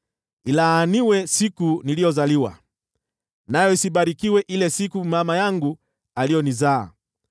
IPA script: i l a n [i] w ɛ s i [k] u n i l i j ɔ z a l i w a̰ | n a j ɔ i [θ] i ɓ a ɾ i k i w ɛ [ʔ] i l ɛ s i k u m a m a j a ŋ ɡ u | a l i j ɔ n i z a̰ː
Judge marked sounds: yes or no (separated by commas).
yes, yes, no, yes